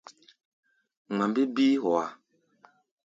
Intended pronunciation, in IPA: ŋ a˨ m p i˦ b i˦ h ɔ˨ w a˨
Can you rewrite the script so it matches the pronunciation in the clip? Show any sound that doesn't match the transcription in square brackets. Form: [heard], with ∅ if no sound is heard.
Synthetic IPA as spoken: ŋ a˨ m [b] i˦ b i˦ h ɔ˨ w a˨